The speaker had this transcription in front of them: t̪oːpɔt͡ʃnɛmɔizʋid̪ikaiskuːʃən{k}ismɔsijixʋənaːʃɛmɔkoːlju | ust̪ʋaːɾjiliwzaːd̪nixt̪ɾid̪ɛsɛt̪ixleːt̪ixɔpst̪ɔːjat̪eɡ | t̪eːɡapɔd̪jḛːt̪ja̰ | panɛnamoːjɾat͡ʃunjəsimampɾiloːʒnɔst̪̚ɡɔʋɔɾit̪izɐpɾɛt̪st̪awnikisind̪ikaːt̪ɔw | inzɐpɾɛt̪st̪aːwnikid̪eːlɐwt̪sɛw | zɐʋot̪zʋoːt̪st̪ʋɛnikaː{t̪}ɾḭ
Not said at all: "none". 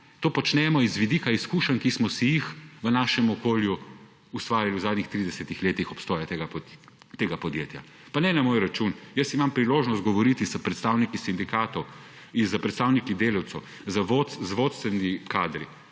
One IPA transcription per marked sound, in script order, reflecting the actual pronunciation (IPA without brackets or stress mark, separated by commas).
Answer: k, d̪